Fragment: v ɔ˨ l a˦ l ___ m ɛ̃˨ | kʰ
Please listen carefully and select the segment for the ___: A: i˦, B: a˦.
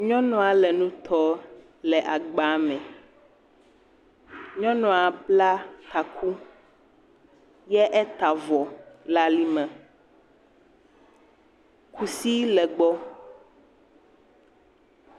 A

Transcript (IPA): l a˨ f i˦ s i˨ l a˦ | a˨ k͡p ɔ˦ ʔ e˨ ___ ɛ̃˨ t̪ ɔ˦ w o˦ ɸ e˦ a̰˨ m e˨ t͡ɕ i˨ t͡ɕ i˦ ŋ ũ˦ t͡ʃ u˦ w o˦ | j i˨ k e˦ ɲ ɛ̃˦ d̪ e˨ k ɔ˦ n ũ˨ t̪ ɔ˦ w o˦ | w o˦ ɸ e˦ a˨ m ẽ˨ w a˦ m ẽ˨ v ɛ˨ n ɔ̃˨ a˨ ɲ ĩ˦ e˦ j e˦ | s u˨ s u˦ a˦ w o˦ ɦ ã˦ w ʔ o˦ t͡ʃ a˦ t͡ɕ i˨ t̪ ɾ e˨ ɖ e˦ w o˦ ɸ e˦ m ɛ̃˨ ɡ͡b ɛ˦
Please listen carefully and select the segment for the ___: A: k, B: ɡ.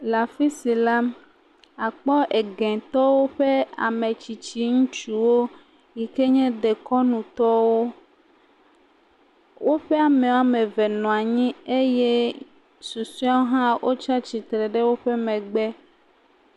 B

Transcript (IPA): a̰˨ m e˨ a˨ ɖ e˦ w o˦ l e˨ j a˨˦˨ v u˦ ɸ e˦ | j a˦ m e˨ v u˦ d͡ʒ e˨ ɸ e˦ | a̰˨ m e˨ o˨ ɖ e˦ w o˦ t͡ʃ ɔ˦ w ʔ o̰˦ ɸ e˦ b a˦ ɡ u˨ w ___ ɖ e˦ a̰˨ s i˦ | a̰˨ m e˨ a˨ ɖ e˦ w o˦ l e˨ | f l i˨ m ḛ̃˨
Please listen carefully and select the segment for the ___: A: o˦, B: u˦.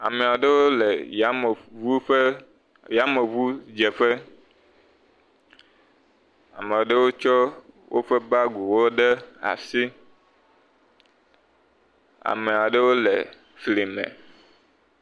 A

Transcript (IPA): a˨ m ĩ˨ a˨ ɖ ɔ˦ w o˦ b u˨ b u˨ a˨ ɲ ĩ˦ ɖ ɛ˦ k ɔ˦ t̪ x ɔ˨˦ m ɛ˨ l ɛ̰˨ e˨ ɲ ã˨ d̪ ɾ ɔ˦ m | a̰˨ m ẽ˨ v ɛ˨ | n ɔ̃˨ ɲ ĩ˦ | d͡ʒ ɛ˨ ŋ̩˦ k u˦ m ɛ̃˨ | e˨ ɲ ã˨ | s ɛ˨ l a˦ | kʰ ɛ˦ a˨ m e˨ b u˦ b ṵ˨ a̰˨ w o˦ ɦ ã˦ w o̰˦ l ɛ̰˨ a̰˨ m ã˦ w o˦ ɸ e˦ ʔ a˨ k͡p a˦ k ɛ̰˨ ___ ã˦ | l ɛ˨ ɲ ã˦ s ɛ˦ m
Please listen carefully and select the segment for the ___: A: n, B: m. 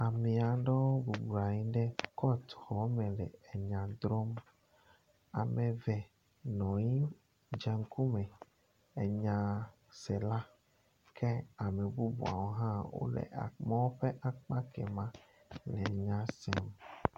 B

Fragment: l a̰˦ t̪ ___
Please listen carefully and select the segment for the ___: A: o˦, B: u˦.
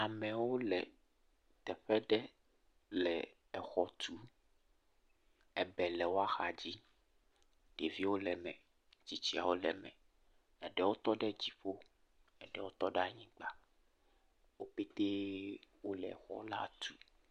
B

